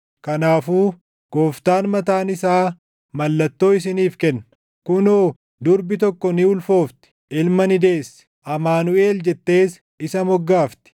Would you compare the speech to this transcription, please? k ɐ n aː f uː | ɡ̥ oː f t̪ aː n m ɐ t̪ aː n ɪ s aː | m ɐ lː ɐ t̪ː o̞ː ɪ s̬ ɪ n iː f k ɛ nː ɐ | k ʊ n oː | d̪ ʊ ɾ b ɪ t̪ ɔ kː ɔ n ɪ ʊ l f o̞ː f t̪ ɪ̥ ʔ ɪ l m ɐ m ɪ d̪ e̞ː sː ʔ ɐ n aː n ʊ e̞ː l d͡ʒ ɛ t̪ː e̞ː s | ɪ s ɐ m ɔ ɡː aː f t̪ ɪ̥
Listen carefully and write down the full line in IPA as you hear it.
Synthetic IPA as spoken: k ɐ n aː f uː | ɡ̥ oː f t̪ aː n m ɐ t̪ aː n ɪ s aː | m ɐ lː ɐ t̪ː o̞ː ɪ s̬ ɪ n iː f k ɛ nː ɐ | k ʊ n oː | d̪ ʊ ɾ b ɪ t̪ ɔ kː ɔ n ɪ ʊ l f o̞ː f t̪ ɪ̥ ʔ ɪ l m ɐ n ɪ d̪ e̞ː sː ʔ ɐ m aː n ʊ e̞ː l d͡ʒ ɛ t̪ː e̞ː s | ɪ s ɐ m ɔ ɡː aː f t̪ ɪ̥